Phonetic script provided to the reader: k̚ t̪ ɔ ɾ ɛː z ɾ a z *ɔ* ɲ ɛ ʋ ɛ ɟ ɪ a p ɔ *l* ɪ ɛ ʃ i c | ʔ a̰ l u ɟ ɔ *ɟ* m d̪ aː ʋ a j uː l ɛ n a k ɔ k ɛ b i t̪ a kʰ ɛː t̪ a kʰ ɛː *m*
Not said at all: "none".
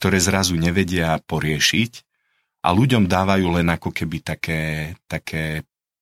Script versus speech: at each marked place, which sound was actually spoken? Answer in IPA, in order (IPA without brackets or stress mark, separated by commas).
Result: u, ɾ, none, none